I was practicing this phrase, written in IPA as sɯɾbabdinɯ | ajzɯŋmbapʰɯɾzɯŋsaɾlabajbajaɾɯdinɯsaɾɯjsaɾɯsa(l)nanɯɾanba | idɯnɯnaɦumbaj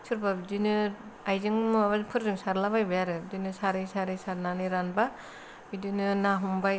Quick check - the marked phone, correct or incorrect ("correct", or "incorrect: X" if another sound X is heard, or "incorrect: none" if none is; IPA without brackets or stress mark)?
incorrect: ɾ